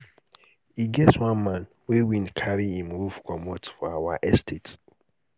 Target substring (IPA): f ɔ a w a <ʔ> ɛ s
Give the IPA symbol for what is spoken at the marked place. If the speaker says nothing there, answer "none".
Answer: ʔ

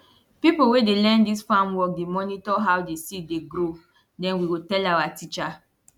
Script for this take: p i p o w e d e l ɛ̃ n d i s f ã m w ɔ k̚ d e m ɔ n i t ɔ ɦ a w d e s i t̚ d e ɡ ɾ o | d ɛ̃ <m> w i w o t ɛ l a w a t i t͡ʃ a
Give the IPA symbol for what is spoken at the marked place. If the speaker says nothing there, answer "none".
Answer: n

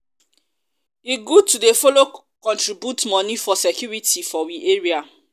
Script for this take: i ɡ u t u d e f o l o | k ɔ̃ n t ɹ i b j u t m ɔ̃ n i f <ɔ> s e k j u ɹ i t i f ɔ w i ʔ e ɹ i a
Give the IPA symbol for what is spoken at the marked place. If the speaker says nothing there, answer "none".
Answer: ɔ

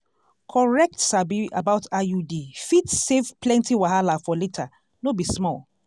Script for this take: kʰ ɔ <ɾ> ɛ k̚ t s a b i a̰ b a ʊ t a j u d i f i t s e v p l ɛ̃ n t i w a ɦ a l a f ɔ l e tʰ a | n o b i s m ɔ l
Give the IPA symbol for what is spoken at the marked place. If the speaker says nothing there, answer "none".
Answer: ɹ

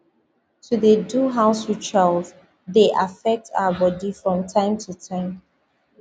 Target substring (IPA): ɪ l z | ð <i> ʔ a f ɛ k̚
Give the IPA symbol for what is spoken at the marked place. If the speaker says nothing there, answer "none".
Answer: e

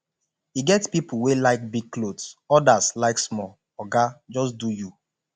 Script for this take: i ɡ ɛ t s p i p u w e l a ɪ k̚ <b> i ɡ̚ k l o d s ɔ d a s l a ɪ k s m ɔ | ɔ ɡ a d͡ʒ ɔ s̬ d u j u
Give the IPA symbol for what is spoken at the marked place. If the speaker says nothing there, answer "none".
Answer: b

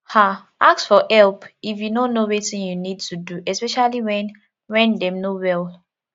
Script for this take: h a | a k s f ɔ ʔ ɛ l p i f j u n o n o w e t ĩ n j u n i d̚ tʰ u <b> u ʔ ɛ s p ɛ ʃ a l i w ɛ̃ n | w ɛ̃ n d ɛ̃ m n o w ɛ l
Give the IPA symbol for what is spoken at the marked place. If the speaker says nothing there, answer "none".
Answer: d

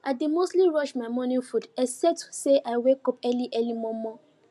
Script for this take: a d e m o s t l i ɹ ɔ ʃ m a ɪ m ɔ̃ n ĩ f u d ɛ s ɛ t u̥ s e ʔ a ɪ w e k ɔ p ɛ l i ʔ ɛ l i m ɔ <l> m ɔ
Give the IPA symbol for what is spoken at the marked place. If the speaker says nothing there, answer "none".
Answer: none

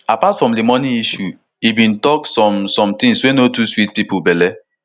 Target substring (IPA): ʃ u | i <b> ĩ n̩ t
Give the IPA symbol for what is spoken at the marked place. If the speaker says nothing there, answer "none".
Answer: b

